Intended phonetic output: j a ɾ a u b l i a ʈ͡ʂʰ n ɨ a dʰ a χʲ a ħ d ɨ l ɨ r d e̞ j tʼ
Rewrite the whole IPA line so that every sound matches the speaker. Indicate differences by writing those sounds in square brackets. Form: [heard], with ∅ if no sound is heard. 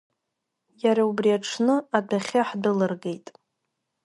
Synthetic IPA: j a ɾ a u b [r] i a ʈ͡ʂʰ n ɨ a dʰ a χʲ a ħ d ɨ l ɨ r [ɡ] e̞ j tʼ